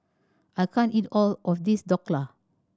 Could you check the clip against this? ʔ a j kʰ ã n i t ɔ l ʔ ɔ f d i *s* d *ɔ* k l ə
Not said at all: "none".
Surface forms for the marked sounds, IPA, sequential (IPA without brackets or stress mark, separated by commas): s, ɔ